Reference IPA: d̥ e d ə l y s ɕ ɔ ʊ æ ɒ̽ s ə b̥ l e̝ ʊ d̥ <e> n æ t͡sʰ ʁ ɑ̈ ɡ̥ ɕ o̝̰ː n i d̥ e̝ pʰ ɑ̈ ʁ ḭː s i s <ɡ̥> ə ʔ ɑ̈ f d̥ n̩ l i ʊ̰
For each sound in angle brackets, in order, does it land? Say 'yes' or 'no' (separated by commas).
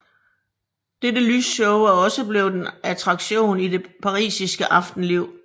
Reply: yes, yes